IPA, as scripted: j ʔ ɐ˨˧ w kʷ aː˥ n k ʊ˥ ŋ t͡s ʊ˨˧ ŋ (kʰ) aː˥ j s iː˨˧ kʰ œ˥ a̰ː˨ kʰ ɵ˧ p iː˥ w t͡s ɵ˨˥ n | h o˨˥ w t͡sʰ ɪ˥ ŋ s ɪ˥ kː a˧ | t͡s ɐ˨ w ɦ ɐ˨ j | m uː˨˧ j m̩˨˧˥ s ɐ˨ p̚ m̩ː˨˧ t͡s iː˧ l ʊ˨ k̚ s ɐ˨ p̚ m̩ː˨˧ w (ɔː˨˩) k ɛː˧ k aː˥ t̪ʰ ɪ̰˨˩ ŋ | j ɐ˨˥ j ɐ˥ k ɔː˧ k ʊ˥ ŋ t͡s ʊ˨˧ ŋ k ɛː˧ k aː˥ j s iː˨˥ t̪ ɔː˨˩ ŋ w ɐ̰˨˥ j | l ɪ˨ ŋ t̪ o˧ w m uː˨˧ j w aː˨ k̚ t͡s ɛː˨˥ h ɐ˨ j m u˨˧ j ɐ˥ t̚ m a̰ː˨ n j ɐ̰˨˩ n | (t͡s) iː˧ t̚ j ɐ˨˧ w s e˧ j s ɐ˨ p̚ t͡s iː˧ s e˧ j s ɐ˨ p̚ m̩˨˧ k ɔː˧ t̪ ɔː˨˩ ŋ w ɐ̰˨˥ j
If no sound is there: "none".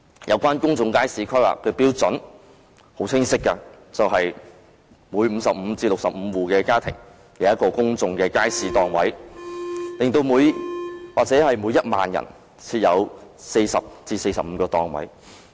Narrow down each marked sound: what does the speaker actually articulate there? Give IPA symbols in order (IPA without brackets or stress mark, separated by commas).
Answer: k, uː˨˩, t͡sʰ